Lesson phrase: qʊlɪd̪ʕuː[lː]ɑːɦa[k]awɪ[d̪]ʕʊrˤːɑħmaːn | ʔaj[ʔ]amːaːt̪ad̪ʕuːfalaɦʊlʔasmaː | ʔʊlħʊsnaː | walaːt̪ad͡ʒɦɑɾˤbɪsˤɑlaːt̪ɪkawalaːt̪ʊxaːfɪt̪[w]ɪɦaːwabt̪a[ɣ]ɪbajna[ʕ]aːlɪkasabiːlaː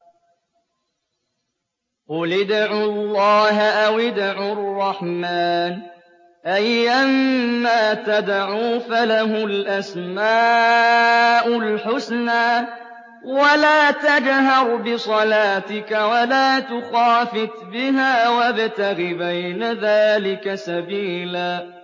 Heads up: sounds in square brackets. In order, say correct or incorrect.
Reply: correct, incorrect, correct, correct, incorrect, correct, incorrect

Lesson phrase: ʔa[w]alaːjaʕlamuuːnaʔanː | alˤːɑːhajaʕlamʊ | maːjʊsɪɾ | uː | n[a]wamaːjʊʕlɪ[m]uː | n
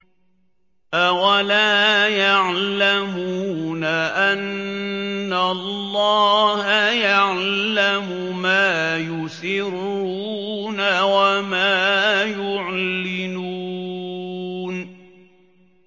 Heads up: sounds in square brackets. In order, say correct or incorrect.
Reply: correct, correct, incorrect

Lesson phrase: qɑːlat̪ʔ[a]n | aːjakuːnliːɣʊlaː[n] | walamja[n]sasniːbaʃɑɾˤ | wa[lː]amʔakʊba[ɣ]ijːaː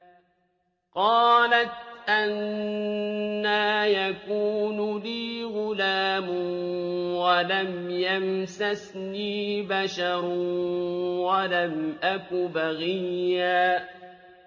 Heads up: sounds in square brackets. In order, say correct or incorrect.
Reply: correct, incorrect, incorrect, incorrect, correct

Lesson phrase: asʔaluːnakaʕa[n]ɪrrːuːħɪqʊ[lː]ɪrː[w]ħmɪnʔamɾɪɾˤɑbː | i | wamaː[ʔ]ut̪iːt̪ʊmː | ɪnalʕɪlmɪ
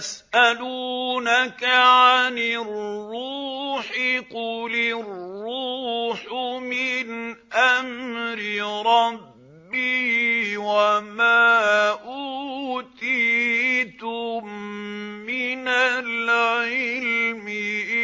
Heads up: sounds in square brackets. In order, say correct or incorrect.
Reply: correct, incorrect, incorrect, correct

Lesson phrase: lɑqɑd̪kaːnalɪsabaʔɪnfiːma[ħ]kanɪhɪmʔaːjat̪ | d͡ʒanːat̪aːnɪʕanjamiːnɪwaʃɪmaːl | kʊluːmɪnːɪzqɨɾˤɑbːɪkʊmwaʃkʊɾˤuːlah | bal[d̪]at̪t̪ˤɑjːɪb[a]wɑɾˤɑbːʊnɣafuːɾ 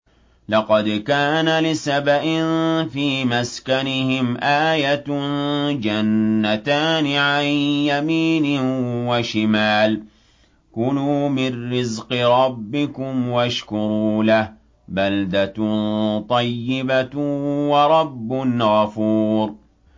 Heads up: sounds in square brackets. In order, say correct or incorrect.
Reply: incorrect, correct, correct

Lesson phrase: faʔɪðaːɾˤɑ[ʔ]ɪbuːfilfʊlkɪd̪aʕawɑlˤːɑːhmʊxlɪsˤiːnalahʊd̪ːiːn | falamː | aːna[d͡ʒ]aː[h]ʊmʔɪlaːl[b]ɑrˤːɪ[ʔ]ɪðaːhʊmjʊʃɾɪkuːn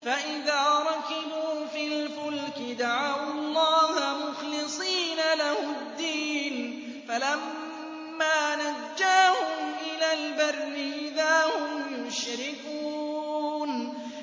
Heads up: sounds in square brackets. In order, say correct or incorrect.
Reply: incorrect, incorrect, correct, correct, correct

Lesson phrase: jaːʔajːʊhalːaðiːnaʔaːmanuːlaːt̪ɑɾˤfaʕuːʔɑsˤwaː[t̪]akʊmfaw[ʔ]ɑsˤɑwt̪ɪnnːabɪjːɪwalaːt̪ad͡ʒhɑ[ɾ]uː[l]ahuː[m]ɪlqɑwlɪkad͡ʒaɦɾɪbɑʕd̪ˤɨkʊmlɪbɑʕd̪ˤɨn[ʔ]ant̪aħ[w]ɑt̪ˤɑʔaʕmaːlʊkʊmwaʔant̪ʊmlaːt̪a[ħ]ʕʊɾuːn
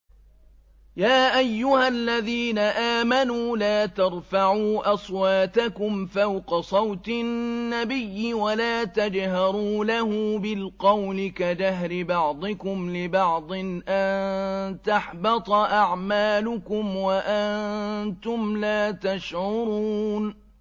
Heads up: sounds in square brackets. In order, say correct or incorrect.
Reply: correct, incorrect, correct, correct, incorrect, correct, incorrect, incorrect

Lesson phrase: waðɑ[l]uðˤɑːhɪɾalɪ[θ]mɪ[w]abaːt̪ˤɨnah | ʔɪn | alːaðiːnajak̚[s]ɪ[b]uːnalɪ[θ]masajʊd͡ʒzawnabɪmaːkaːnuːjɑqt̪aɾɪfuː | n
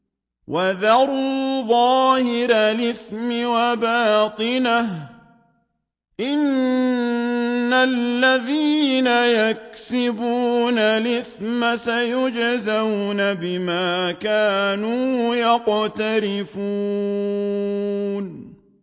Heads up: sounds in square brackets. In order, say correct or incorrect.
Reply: incorrect, correct, correct, correct, correct, correct

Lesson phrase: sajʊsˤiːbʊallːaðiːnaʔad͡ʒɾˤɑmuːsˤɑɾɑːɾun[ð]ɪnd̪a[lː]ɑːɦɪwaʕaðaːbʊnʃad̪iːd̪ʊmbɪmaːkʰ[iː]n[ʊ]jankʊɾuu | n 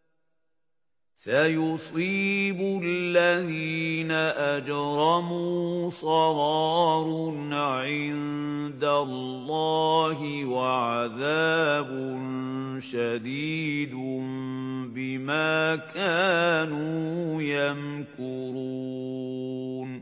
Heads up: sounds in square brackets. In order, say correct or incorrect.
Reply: incorrect, correct, incorrect, incorrect

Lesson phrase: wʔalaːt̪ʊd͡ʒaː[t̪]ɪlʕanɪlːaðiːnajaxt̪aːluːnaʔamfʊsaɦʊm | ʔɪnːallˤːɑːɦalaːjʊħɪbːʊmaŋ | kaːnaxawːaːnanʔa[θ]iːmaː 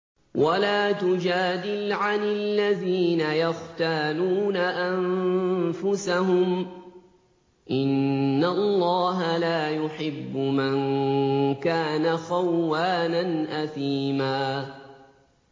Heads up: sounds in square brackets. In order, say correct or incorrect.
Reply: incorrect, correct

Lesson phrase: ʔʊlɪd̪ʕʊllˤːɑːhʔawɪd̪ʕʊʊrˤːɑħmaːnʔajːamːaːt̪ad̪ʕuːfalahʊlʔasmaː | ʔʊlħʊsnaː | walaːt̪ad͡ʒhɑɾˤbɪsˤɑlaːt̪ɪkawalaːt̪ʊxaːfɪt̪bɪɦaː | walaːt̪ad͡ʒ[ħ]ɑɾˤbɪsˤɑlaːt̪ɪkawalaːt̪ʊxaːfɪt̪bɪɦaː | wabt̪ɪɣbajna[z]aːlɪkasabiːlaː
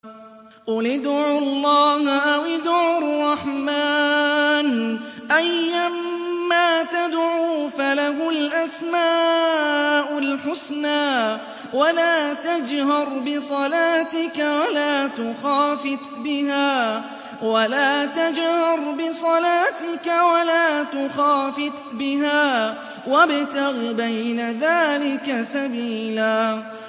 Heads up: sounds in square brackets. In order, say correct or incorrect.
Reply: incorrect, incorrect

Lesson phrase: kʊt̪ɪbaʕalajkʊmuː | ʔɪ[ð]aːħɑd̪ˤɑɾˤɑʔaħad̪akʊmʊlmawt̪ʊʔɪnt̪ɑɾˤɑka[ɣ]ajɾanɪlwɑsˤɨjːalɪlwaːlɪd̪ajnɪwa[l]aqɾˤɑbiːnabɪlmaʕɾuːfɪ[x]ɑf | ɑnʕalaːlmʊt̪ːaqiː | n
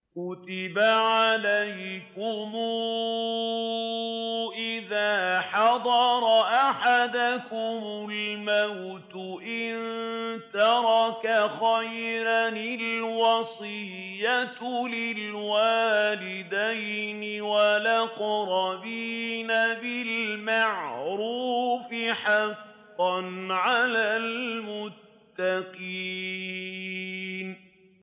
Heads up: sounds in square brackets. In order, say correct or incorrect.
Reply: correct, incorrect, correct, incorrect

